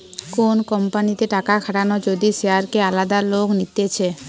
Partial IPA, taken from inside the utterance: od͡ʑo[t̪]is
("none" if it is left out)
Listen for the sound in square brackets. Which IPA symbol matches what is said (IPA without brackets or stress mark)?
d̪